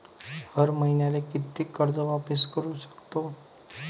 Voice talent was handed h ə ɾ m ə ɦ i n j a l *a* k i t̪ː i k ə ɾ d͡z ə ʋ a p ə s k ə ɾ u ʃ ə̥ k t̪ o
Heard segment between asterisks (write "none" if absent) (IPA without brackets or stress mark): e